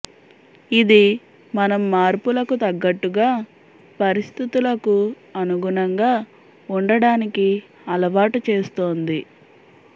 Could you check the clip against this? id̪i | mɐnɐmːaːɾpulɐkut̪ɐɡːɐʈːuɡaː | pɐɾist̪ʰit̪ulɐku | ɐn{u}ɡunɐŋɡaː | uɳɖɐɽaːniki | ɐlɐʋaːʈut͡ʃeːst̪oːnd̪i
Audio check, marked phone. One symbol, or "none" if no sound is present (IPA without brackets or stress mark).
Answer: u